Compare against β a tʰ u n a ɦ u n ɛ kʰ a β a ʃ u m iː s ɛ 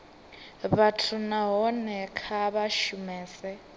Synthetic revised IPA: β a tʰ u n a ɦ ɔ n ɛ kʰ a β a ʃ u m ɛː s ɛ